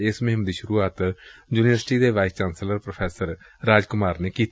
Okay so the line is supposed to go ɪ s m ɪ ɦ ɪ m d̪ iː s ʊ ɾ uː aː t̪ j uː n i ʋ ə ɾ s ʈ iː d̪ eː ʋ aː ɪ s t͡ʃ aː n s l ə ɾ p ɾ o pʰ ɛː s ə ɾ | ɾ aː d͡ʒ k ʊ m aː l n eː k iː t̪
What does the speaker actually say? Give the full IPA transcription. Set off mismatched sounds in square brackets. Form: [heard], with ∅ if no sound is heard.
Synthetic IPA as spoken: ɪ s m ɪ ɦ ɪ m d̪ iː [ʃ] ʊ ɾ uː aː t̪ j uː n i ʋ ə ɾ s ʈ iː d̪ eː ʋ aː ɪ s t͡ʃ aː n s l ə ɾ p ɾ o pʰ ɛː s ə ɾ | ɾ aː d͡ʒ k ʊ m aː [ɾ] n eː k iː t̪